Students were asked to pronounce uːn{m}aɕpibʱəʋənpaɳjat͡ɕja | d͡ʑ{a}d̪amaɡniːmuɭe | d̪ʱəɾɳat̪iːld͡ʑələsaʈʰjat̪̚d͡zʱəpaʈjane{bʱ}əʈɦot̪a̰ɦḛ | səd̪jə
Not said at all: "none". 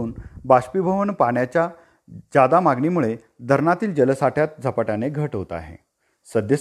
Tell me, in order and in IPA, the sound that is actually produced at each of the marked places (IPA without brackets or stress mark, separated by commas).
b, a, ɡʱ